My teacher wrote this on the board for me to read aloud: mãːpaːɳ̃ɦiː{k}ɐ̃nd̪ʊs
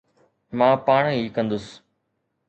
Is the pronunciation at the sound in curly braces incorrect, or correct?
correct